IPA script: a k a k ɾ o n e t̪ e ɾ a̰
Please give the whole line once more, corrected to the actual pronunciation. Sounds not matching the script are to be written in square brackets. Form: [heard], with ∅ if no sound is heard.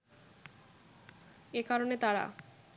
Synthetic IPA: [e] k a [∅] ɾ o n e t̪ [a] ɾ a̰